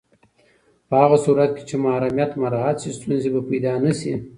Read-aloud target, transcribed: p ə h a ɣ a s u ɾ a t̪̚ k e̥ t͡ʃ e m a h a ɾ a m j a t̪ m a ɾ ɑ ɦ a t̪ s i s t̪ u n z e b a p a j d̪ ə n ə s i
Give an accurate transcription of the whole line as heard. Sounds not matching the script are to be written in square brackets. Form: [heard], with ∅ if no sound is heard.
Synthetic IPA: p ə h a ɣ a s u ɾ a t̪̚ k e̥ t͡ʃ e m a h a ɾ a m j a t̪ m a ɾ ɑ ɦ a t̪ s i s t̪ u n z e b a p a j d̪ [ɑ] n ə s i